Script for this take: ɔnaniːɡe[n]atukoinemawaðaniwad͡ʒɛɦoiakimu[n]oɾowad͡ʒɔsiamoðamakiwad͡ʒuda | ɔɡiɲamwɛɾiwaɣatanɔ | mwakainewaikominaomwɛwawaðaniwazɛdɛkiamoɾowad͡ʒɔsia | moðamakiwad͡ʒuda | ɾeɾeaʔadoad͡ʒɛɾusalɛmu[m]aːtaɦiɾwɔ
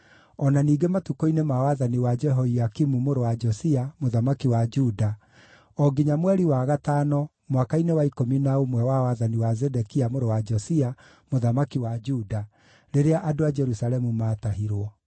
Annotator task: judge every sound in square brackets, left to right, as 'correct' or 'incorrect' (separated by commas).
incorrect, incorrect, correct